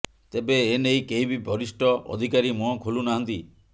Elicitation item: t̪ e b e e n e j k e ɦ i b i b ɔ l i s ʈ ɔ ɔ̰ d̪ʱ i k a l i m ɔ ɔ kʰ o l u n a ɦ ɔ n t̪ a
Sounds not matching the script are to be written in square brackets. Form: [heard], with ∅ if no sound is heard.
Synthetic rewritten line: t̪ e b e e n e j k e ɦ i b i b ɔ [ɾ] i s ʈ ɔ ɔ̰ d̪ʱ i k a [ɾ] i m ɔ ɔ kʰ o l u n a ɦ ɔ n t̪ [i]